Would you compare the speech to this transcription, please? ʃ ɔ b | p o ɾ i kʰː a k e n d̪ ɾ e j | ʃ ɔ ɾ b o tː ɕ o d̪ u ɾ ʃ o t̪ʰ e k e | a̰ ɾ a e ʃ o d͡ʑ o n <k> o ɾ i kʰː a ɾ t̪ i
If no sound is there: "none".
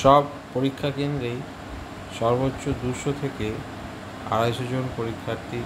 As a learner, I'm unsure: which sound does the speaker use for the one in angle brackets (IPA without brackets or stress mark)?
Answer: p